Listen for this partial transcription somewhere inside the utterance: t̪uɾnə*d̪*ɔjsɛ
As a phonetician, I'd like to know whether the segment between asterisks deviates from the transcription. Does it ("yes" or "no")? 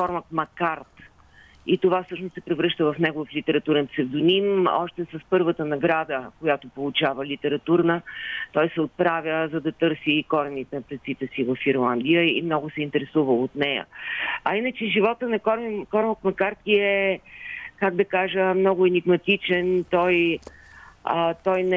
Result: yes